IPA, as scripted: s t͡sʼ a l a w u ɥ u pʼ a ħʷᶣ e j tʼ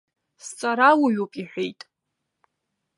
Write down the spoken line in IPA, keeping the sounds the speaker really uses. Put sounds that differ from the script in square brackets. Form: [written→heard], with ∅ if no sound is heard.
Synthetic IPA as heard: s t͡sʼ a [l→ɾ] a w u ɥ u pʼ [a→i] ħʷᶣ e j tʼ